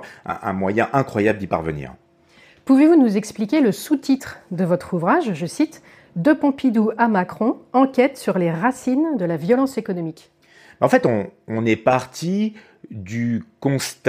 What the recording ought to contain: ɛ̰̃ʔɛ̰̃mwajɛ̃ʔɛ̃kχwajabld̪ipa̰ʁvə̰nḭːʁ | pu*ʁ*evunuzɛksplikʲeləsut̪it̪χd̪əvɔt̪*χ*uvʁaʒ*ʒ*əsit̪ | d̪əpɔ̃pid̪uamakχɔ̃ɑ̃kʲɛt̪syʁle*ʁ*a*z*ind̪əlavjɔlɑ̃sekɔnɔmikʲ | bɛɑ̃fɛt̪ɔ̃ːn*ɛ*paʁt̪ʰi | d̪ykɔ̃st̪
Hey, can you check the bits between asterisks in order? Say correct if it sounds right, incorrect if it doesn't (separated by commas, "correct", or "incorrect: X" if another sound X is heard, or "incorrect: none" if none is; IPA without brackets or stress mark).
incorrect: v, correct, correct, correct, incorrect: s, correct